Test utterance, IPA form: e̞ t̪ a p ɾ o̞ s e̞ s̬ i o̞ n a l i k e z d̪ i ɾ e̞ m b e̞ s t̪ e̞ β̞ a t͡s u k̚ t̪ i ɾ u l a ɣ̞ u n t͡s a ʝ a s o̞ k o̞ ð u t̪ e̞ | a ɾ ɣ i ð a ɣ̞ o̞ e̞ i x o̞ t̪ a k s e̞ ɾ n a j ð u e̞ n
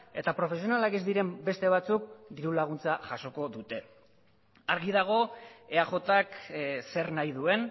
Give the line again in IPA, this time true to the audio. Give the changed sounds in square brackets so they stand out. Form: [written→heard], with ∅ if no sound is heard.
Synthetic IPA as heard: e̞ t̪ a p ɾ o̞ [s→f] e̞ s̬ i o̞ n a l [i→a] k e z d̪ i ɾ e̞ m b e̞ s t̪ e̞ β̞ a t͡s u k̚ [t̪→d̪] i ɾ u l a ɣ̞ u n t͡s a ʝ a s o̞ k o̞ ð u t̪ e̞ | a ɾ ɣ i ð a ɣ̞ o̞ e̞ [i→a] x o̞ t̪ a k s e̞ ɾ n a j ð u e̞ n